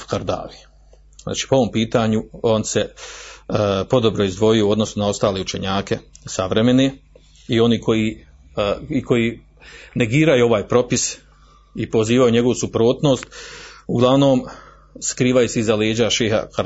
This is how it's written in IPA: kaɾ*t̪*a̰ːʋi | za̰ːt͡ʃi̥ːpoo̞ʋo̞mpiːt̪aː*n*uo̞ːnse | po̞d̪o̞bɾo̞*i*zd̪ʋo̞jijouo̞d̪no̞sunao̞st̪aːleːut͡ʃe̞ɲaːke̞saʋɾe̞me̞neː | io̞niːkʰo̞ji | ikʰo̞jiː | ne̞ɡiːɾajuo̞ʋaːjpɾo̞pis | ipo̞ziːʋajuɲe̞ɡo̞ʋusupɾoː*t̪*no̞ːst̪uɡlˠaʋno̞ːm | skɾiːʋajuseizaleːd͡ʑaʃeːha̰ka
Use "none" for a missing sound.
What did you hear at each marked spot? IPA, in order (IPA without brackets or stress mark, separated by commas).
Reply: d̪, ɲ, i, t̪